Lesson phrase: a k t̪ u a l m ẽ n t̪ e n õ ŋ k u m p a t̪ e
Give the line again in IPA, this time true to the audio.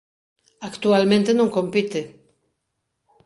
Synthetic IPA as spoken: a k t̪ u a l m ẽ n t̪ e n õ ŋ k o m p i t̪ e